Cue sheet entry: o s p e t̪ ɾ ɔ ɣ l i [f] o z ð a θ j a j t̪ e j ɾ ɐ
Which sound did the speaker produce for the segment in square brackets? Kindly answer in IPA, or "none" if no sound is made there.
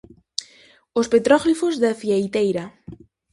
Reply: f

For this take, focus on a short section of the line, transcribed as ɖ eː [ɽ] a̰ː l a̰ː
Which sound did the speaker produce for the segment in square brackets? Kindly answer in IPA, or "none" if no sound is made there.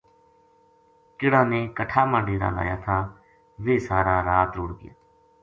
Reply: ɾ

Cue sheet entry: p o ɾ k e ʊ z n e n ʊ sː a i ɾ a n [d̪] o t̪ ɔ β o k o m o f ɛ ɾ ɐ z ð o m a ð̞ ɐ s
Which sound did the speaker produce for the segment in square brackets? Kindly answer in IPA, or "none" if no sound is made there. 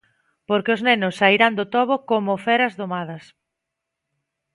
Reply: d̪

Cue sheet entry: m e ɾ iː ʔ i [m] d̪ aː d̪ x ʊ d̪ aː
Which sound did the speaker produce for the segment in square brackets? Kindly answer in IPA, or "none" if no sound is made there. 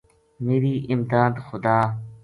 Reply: m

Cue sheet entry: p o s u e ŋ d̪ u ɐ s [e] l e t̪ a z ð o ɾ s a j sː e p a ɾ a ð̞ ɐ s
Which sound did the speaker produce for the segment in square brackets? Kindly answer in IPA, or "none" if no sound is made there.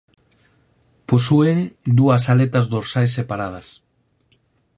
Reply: a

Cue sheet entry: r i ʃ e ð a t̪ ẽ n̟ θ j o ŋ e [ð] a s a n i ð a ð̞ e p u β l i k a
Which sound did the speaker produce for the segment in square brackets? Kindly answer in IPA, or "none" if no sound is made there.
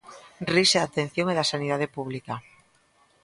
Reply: ð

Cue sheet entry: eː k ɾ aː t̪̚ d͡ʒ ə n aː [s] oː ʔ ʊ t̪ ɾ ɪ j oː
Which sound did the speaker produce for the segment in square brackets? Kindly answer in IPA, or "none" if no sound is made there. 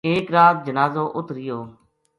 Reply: z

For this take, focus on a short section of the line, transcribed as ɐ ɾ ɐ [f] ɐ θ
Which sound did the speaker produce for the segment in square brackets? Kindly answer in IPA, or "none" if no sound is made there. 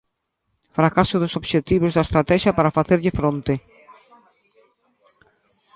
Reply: f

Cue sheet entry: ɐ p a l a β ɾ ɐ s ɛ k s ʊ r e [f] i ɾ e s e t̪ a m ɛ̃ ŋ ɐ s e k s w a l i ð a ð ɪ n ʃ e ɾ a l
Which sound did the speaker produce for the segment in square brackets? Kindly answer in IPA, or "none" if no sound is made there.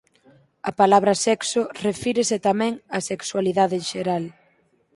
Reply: f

